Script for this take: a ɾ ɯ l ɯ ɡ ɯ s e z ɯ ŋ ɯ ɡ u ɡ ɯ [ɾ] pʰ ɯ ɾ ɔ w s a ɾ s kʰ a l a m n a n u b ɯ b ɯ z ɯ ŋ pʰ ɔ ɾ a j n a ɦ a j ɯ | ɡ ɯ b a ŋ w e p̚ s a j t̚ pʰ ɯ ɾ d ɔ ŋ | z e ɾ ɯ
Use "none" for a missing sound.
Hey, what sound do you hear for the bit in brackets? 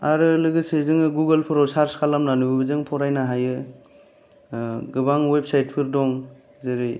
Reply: l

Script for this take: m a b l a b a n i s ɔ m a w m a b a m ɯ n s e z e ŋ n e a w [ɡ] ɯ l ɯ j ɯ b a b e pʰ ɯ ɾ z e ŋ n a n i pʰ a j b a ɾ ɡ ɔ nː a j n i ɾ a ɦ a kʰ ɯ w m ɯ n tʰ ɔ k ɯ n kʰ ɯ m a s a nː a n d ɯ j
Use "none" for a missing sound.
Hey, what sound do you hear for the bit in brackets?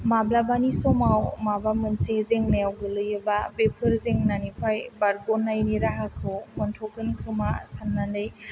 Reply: ɡ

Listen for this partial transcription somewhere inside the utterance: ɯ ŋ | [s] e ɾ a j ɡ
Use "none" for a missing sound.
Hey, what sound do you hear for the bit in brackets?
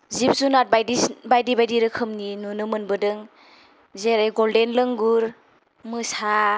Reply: z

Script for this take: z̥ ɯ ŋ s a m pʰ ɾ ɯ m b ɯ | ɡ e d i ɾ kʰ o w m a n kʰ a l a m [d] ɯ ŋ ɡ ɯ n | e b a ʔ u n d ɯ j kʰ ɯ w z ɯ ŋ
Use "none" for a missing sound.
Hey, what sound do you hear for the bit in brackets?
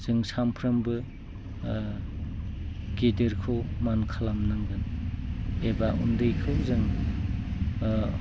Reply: n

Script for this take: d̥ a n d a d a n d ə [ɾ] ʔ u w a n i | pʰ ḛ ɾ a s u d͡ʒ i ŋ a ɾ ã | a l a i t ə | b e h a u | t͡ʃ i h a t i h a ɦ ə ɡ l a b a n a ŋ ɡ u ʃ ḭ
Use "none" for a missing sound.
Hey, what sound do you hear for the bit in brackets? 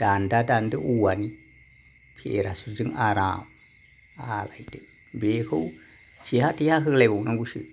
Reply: none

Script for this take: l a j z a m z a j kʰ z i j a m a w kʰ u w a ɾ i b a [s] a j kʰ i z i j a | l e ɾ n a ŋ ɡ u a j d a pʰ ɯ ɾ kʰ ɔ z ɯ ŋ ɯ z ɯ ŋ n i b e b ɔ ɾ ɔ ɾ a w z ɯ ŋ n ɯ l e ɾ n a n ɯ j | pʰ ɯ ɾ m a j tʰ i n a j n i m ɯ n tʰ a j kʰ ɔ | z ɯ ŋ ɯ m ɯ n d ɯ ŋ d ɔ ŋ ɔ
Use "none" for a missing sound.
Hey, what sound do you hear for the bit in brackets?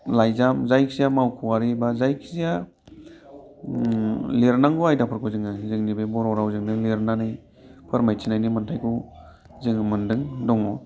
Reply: z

